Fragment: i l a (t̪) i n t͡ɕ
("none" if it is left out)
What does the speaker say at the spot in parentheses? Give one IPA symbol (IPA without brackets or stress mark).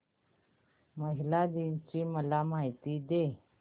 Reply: d̪